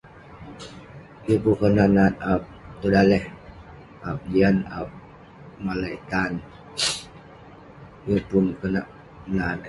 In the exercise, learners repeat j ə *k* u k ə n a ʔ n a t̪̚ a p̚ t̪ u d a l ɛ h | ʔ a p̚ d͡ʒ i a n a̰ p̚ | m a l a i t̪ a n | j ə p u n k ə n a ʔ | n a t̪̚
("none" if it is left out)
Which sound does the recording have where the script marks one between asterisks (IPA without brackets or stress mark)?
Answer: p